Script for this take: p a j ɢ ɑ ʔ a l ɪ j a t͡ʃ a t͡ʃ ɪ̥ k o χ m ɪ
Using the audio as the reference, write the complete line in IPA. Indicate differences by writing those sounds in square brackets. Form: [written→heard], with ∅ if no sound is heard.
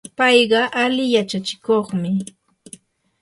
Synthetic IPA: p [a→ɑ] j ɢ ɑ ʔ a l ɪ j a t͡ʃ a t͡ʃ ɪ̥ k o χ m ɪ